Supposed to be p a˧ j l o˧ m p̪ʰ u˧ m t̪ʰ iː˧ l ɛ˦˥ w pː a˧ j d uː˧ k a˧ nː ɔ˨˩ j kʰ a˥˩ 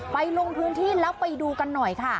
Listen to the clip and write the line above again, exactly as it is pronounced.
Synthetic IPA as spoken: p a˧ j l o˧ ŋ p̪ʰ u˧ n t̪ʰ iː˥˩ l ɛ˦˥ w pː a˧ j d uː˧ k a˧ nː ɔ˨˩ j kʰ a˥˩